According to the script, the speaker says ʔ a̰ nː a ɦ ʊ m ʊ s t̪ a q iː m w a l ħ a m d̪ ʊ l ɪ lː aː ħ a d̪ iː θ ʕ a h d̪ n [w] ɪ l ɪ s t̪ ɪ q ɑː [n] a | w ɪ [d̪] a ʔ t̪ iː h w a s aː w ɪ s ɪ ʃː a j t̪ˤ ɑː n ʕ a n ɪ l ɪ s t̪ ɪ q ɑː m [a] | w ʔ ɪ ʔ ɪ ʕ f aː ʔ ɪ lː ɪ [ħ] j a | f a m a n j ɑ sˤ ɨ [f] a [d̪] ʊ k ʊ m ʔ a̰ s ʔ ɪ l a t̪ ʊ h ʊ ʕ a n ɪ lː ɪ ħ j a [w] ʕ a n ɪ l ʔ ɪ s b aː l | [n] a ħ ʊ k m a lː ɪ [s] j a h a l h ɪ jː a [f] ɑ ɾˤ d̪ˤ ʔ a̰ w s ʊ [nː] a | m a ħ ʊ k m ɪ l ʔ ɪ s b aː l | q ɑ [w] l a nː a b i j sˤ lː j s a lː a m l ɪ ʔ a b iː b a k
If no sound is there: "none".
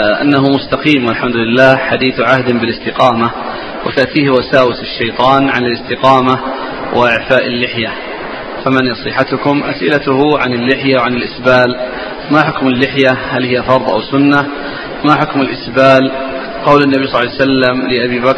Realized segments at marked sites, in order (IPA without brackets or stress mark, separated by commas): b, m, t̪, a, ħ, ħ, t̪, w, m, ħ, f, nː, w